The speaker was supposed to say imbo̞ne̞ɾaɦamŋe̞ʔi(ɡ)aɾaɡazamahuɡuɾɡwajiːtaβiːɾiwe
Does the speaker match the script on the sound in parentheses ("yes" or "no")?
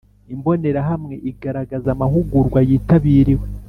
yes